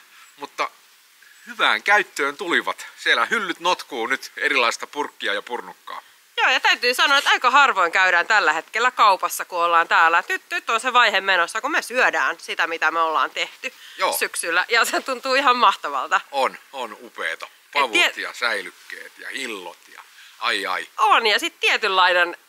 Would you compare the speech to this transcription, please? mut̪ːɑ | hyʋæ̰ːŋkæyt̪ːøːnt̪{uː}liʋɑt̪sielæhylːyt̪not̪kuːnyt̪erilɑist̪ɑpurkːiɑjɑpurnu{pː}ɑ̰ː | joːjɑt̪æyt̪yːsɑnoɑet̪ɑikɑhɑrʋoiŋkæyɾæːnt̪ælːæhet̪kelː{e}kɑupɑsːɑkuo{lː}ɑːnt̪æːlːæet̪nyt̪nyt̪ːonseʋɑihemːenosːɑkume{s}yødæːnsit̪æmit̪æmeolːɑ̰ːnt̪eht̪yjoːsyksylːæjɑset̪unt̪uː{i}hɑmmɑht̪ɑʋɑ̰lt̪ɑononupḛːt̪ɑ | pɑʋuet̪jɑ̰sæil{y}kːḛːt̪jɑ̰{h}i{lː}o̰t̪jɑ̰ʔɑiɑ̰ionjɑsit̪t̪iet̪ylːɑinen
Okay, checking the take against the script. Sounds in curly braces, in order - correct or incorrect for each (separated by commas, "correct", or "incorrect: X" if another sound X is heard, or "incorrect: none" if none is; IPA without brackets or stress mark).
incorrect: u, incorrect: kː, incorrect: æ, correct, correct, correct, correct, correct, correct